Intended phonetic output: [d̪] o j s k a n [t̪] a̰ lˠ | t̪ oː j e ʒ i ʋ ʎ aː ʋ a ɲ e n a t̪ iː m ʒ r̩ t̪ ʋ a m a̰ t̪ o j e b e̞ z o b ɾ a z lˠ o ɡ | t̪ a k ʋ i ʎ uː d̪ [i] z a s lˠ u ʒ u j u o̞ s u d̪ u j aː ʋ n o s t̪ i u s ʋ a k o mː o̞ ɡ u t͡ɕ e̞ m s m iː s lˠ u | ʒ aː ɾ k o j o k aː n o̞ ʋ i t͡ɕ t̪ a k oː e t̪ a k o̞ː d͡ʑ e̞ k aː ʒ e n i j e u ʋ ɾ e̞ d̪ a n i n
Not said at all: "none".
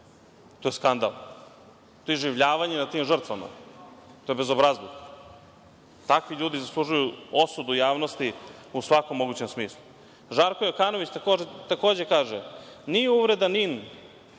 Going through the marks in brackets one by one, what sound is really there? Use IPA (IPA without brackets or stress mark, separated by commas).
t̪, d̪, i